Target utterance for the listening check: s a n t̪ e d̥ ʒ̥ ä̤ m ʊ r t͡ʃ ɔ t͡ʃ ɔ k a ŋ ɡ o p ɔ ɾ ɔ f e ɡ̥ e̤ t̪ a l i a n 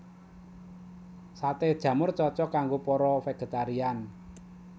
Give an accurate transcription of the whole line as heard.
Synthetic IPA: s a t̪ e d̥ ʒ̥ ä̤ m ʊ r t͡ʃ ɔ t͡ʃ ɔ k a ŋ ɡ o p ɔ ɾ ɔ f e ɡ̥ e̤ t̪ a ɾ i a n